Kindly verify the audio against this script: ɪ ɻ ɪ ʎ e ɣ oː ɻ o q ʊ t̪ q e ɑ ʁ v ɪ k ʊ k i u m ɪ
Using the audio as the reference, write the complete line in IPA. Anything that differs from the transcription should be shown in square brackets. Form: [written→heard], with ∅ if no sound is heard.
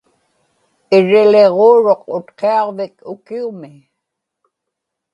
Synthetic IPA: ɪ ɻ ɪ [ʎ→l] e [ɣ→ʁ] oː ɻ o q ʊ t̪ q e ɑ ʁ v ɪ k ʊ k i u m ɪ